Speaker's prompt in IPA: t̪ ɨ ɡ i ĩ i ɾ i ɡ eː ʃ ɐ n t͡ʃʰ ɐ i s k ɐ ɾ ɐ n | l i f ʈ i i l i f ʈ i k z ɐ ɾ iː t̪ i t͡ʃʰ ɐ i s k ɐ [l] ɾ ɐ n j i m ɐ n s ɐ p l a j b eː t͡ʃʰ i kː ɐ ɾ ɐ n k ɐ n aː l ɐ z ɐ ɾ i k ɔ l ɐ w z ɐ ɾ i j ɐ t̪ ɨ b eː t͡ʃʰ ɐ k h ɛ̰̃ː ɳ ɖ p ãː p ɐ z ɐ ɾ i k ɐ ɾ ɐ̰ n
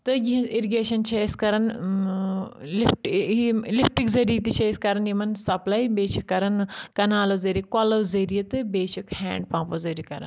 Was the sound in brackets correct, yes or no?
no